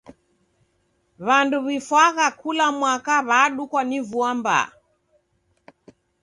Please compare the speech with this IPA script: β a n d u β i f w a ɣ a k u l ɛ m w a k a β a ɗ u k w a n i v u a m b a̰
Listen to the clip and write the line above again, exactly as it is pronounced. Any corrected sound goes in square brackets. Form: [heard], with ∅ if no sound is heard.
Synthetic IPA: β a n d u β i f w a ɣ a k u l [a] m w a k a β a ɗ u k w a n i v u a m b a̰